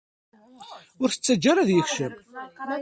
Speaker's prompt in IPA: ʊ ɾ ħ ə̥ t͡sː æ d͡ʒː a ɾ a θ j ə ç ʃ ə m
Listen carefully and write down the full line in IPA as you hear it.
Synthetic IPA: ʊ ɾ θ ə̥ t͡sː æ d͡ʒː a ɾ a ð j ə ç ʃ ə m